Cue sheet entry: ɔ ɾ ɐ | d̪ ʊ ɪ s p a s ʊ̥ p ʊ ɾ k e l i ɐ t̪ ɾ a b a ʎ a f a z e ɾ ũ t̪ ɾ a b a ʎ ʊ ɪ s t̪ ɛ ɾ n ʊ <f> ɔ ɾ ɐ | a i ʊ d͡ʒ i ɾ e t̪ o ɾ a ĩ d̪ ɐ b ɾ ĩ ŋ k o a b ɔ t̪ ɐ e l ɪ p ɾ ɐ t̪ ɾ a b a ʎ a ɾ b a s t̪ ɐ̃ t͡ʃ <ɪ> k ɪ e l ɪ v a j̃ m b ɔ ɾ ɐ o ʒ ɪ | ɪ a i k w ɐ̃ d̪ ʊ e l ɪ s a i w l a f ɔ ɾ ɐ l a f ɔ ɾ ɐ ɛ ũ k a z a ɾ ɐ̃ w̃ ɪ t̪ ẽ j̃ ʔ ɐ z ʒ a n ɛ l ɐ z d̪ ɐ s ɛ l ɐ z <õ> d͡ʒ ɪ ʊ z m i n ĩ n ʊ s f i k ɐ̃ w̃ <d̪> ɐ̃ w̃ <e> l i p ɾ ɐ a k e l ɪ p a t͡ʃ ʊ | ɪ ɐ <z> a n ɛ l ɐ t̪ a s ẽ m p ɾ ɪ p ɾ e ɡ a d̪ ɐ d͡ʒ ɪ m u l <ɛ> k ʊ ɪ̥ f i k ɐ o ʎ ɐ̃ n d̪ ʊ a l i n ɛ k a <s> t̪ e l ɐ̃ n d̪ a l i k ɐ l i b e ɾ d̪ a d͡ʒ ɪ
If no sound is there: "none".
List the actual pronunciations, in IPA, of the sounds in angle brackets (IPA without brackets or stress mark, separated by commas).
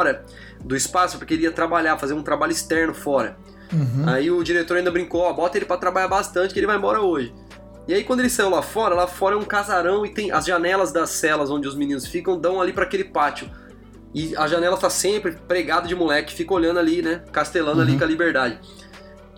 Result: f, ɪ, õ, d̪, a, ʒ, ɛ, s